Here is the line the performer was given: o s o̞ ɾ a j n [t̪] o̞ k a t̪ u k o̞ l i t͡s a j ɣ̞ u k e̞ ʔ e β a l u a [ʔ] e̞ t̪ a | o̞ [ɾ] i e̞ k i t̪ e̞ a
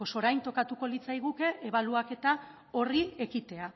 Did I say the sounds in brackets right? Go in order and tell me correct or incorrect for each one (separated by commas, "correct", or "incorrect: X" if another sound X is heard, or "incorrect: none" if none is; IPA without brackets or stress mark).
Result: correct, incorrect: k, incorrect: r